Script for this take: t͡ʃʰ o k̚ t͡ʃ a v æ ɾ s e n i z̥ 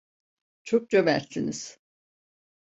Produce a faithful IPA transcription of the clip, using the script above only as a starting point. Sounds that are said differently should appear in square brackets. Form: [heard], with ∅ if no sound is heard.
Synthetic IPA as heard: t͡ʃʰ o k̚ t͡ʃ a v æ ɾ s [i] n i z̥